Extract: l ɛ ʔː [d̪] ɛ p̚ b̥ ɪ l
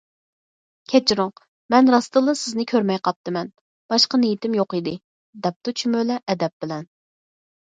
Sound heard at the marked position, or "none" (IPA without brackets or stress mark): d̪